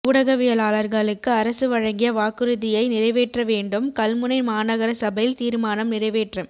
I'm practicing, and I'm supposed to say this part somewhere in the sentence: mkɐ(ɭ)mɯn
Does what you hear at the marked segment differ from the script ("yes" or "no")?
yes